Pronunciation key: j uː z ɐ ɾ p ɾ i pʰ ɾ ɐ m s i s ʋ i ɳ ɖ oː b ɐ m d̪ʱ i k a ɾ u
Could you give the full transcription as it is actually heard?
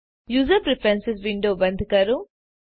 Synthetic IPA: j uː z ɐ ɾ p ɾ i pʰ ɾ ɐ n s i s ʋ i ɳ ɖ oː b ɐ n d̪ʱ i k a ɾ u